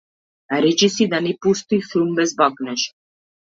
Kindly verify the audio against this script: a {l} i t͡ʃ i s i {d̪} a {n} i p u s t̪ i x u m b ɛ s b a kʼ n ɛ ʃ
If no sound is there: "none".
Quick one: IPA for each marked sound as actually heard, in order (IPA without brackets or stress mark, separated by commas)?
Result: ɾ, d̪, n